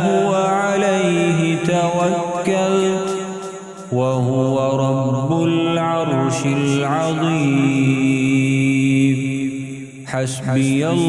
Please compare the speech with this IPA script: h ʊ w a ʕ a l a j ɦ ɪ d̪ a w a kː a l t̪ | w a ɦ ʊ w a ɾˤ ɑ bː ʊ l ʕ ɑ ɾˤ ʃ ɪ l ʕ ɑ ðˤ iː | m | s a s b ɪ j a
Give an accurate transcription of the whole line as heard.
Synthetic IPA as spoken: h ʊ w a ʕ a l a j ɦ ɪ t̪ a w a kː a l t̪ | w a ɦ ʊ w a ɾˤ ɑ bː ʊ l ʕ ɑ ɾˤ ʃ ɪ l ʕ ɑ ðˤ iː | m | ħ a s b ɪ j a